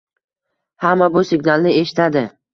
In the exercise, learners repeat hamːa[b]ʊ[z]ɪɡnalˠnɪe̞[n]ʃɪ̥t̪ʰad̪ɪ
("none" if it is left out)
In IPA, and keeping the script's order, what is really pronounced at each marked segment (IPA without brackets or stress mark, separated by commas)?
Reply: b, s, none